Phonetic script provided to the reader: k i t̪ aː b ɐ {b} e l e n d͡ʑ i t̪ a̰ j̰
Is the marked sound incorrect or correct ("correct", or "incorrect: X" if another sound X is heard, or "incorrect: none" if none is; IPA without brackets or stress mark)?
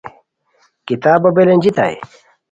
correct